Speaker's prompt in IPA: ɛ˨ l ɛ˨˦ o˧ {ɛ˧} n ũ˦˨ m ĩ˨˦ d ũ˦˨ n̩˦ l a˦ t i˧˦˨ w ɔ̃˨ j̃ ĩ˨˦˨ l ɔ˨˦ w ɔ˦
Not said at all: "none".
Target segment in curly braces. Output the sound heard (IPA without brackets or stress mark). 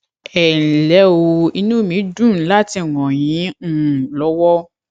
i˧